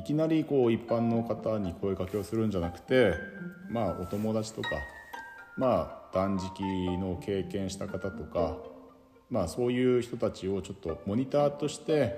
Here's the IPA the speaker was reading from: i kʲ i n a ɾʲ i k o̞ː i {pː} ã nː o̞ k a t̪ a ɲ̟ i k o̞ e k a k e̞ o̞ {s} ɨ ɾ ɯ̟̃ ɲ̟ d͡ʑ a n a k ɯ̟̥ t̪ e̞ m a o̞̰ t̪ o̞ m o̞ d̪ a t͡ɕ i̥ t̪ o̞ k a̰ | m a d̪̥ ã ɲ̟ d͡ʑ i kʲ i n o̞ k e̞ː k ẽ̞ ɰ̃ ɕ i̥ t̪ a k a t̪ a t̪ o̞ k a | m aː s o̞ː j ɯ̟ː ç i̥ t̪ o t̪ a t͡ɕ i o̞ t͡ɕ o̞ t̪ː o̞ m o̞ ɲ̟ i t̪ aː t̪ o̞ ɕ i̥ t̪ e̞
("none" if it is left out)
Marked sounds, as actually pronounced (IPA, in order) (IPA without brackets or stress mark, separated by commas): pː, s